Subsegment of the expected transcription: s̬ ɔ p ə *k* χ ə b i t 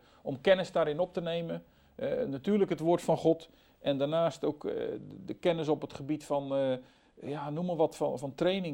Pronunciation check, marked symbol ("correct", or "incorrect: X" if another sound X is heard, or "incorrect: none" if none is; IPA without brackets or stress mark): incorrect: t